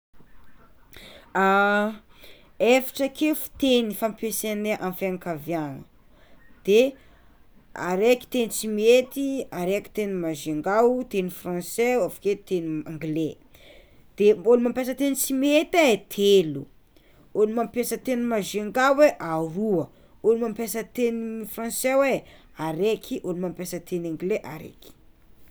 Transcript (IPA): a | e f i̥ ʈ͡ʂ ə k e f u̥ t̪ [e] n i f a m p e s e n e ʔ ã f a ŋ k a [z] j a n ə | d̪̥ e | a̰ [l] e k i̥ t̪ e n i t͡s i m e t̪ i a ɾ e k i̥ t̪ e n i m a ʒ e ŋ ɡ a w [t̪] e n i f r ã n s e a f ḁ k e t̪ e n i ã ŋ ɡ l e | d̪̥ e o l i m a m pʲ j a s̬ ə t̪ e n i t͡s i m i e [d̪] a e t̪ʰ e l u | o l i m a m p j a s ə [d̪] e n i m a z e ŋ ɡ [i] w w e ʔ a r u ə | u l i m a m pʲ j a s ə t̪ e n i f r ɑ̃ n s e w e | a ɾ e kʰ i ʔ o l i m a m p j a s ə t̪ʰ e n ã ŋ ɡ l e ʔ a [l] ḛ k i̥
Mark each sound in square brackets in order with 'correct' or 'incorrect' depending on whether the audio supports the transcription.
correct, incorrect, incorrect, correct, incorrect, incorrect, incorrect, incorrect

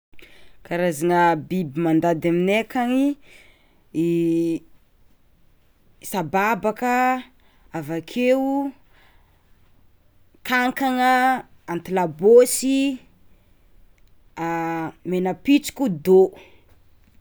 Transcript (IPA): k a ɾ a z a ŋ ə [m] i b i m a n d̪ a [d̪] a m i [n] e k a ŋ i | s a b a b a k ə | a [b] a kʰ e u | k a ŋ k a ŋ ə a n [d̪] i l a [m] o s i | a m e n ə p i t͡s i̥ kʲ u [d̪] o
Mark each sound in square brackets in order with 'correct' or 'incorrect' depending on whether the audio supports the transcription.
incorrect, correct, correct, incorrect, incorrect, incorrect, correct

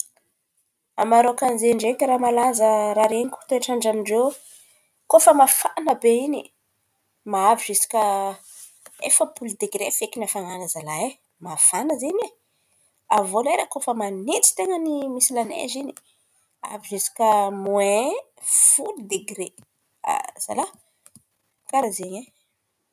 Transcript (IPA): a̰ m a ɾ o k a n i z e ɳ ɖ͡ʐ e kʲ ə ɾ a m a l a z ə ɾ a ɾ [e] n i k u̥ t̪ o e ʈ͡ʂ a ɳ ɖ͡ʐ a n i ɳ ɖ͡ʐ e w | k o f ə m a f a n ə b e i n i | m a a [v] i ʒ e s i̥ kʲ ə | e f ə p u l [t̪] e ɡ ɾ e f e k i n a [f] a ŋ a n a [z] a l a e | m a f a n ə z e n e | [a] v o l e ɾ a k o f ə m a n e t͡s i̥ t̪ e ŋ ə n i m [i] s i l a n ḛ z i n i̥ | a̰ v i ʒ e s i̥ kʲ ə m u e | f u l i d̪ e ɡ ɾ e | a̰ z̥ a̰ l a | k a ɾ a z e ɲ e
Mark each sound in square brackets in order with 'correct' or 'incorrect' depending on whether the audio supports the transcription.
correct, correct, incorrect, correct, correct, correct, correct

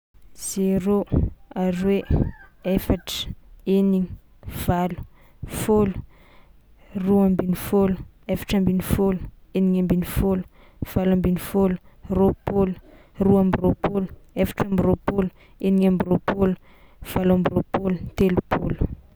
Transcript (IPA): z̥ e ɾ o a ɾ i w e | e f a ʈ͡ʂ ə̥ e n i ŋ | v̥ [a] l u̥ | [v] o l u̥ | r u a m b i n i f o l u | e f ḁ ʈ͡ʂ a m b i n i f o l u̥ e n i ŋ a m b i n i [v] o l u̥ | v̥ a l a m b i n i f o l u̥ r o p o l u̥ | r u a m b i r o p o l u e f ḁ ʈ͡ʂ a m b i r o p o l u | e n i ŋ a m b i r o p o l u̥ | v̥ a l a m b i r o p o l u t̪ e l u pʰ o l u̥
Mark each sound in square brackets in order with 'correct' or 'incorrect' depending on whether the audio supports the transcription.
correct, incorrect, incorrect

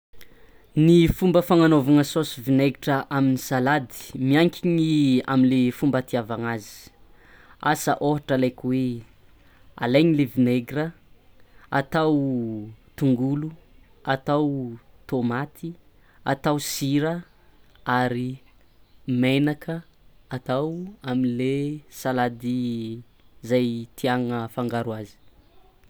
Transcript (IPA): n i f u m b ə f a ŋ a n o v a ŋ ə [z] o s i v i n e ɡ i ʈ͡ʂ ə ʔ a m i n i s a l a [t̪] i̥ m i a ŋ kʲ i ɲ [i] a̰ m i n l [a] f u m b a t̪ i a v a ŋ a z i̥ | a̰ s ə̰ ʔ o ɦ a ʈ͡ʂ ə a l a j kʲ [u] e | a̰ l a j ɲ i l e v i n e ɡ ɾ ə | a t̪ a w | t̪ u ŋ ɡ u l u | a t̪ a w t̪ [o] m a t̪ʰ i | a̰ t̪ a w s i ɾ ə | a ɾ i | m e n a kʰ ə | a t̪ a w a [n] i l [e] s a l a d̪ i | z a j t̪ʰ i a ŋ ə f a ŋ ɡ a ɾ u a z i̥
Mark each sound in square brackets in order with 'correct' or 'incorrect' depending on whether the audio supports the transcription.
incorrect, incorrect, correct, incorrect, incorrect, correct, incorrect, correct

